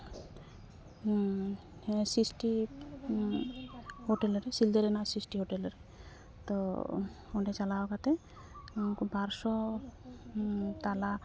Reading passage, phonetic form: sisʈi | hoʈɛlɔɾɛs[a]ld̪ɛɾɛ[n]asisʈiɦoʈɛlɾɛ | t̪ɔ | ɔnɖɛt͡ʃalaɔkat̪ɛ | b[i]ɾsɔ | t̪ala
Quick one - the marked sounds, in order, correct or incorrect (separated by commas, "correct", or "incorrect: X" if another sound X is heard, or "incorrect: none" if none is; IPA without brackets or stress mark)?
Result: incorrect: i, correct, incorrect: a